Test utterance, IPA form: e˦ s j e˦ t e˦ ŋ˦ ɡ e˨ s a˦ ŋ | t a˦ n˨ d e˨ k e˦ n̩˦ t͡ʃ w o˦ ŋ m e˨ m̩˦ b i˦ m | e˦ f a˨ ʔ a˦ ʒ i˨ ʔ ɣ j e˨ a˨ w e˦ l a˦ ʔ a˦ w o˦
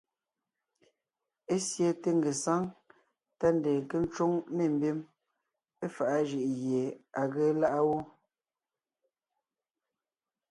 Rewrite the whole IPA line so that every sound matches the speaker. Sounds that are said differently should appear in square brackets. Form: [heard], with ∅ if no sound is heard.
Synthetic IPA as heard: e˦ s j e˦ t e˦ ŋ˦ ɡ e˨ s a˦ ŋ | t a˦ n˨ d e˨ k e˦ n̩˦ t͡ʃ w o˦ ŋ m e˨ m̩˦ b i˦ m | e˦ f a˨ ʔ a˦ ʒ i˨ ʔ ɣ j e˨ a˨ [ɣ] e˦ l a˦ ʔ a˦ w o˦